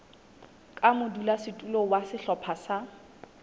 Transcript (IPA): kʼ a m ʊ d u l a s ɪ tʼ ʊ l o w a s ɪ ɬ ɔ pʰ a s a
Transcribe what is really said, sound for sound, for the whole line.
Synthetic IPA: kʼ a m ʊ d u l a s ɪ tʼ u l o w a s ɪ ɬ ɔ pʰ a s a